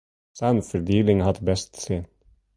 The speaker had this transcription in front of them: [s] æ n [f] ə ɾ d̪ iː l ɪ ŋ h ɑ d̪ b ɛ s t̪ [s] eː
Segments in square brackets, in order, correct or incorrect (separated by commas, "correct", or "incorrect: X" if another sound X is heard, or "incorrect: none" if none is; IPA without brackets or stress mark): correct, correct, correct